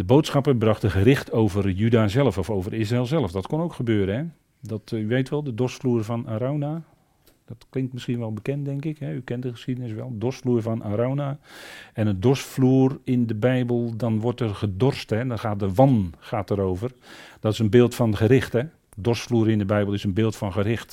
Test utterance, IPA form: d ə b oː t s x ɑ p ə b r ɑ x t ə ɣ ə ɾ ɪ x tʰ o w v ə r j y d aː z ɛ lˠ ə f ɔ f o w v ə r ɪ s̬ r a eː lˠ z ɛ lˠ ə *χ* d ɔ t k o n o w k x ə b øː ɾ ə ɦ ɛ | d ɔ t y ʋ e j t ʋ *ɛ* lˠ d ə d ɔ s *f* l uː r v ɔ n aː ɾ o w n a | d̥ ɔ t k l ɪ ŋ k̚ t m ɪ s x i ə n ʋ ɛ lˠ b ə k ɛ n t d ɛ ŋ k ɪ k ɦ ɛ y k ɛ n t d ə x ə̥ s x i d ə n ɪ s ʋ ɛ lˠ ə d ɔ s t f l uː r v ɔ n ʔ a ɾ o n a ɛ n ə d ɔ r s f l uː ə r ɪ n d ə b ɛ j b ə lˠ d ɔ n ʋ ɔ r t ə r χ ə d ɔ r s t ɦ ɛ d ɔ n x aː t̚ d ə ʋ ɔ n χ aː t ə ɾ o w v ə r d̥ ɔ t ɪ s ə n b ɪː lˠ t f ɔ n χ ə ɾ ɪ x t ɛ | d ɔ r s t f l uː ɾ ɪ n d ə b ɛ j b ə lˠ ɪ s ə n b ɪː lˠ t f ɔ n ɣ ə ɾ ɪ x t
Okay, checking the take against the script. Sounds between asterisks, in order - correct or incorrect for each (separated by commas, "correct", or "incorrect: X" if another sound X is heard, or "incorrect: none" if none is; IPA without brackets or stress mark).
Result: incorrect: f, correct, correct